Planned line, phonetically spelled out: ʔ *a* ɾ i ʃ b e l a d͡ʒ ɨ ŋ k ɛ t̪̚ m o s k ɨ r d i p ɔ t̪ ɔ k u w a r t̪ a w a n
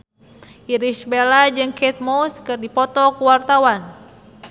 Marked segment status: incorrect: i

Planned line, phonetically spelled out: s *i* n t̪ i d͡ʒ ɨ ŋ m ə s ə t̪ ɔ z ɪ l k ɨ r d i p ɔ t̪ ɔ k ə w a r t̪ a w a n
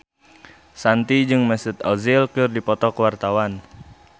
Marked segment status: incorrect: a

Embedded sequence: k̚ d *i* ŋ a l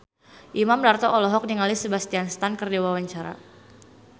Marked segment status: correct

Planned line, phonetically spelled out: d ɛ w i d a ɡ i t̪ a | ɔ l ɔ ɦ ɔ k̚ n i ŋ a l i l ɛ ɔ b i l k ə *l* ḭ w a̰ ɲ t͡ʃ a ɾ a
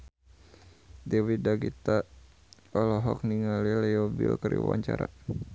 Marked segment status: incorrect: ɾ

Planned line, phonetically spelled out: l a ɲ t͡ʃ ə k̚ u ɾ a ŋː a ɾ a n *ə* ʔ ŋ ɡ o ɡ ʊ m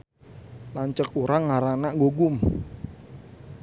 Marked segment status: incorrect: a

